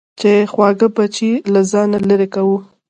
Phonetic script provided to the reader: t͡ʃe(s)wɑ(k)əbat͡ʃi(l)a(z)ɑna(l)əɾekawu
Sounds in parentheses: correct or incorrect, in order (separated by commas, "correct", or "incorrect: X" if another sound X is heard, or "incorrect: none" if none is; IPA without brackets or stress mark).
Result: incorrect: x, incorrect: ɡ, correct, correct, correct